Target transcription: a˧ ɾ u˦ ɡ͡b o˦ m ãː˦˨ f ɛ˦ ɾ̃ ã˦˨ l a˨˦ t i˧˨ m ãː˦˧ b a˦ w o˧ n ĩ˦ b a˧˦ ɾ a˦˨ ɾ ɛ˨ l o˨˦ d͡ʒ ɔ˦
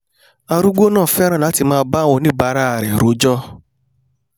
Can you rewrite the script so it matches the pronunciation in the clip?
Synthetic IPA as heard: a˧ ɾ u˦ ɡ͡b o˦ n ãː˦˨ f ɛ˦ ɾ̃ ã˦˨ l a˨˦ t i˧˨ m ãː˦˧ b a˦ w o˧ n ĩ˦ b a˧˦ ɾ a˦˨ ɾ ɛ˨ ɾ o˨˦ d͡ʒ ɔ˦

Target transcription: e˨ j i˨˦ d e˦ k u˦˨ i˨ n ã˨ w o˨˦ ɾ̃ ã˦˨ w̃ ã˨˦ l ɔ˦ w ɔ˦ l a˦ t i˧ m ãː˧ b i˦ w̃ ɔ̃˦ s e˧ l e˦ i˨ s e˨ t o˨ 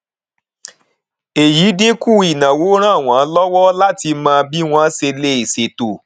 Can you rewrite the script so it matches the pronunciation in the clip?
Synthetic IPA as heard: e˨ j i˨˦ d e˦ k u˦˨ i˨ n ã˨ w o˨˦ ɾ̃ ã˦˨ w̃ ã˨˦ l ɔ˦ w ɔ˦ l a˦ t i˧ m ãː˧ b i˦ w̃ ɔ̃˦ s e˧ l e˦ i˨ s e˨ t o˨

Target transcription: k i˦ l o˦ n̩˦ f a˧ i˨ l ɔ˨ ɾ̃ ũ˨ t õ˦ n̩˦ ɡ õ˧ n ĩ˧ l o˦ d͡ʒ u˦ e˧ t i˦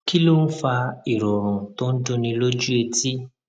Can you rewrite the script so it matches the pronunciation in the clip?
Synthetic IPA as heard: k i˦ l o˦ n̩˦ f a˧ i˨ ɾ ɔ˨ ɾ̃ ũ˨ t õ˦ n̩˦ d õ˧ n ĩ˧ l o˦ d͡ʒ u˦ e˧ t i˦

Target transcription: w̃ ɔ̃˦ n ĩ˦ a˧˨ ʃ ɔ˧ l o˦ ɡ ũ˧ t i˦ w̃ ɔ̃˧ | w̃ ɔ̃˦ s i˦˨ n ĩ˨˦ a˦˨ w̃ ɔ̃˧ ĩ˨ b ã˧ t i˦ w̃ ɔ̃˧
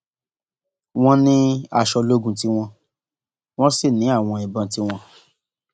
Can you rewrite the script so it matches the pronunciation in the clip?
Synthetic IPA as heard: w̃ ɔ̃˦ n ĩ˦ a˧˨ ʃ ɔ˧ l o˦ ɡ ũ˧ t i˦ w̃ ɔ̃˧ | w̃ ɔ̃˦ s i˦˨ n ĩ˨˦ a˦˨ w̃ ɔ̃˧ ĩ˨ b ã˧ t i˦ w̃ ɔ̃˧

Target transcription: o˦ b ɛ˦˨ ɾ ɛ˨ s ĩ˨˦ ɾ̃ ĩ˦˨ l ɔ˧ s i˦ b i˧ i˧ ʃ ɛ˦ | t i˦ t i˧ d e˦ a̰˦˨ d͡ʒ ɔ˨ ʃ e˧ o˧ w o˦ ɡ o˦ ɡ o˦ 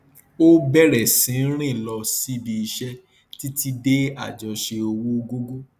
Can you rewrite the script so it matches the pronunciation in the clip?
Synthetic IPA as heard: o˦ b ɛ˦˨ ɾ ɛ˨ s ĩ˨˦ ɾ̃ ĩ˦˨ l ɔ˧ s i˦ b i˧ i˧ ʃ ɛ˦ | t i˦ t i˧ d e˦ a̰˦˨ d͡ʒ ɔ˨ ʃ e˧ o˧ w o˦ ɡ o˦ ɡ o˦

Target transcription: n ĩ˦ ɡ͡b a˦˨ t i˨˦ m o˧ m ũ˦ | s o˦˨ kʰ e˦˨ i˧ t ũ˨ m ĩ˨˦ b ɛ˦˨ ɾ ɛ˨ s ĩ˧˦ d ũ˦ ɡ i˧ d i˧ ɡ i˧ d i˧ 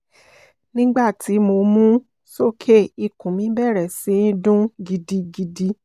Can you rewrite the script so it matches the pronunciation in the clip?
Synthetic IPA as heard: n ĩ˦ ɡ͡b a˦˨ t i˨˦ m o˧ m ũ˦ | s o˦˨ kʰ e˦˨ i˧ k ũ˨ m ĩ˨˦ b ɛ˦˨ ɾ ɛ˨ s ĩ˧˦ d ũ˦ ɡ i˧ d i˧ ɡ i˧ d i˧

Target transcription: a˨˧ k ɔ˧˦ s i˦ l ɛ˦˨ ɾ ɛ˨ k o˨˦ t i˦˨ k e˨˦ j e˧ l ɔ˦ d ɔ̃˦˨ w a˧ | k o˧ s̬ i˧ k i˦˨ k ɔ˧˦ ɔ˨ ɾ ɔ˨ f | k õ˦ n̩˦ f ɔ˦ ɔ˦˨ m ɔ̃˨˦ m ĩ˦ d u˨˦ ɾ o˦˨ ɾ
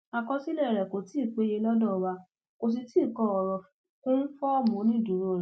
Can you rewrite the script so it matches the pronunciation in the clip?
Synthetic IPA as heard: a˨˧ k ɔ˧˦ s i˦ l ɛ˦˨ ɾ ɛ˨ k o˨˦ t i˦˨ k͡p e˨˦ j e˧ l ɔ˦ d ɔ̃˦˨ w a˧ | k o˧ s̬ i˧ t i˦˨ k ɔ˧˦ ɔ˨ ɾ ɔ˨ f | k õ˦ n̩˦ f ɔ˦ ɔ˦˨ m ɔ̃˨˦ n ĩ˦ d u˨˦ ɾ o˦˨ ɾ

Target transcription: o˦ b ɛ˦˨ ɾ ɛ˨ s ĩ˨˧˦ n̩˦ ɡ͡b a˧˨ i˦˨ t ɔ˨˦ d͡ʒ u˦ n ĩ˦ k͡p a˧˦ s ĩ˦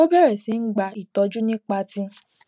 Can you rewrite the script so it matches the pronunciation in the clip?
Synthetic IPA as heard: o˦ b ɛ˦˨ ɾ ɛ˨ s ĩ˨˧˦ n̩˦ ɡ͡b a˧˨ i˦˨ t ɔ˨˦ d͡ʒ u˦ n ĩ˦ k͡p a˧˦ t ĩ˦

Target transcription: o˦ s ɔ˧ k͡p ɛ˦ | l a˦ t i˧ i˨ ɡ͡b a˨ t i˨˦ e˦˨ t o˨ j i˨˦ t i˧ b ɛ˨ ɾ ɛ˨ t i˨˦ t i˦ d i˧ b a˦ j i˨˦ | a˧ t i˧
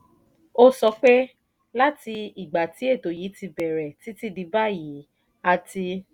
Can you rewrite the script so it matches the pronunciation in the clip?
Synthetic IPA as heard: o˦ s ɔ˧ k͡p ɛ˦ | l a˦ t i˧ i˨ ɡ͡b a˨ t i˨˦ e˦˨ t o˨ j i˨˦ t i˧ b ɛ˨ ɾ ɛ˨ t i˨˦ t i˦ d i˧ b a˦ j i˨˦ | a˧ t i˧

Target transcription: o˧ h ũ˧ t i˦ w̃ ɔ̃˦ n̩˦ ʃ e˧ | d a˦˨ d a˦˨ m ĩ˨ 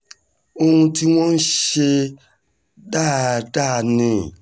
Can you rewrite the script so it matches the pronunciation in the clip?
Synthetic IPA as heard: o˧ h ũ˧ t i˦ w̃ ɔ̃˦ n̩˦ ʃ e˧ | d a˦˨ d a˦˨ n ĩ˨

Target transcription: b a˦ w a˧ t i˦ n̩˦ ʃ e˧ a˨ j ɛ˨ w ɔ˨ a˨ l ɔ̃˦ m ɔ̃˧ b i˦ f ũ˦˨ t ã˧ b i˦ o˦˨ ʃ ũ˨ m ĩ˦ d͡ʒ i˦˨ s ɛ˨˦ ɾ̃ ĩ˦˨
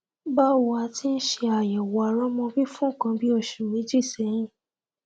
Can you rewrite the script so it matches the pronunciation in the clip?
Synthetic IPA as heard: b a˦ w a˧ t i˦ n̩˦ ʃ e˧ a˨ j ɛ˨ w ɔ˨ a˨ ɾ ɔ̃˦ m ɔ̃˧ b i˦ f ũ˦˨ k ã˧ b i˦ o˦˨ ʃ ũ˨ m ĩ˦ d͡ʒ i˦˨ s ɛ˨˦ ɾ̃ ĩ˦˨

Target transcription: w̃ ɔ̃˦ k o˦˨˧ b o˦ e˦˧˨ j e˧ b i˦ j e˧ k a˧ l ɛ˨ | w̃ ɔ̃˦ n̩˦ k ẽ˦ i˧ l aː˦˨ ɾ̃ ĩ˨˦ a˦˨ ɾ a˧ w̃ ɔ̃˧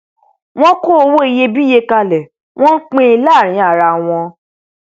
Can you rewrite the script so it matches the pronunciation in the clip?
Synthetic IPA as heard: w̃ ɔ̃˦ k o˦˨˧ w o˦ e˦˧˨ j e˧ b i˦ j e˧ k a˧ l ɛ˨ | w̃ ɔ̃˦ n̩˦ k͡p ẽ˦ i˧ l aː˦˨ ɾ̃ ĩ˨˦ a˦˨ ɾ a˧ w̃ ɔ̃˧

